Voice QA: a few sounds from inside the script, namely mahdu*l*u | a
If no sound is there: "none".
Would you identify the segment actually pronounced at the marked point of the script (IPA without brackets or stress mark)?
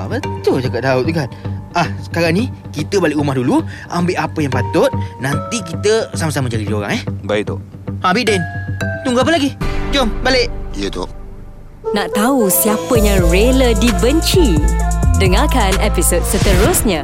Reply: l